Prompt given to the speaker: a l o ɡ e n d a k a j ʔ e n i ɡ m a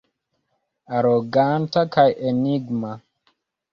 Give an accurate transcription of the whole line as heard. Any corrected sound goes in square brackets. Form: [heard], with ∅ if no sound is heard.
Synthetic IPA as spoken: a [ɾ] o ɡ [a] n [t] a k a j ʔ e n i ɡ m a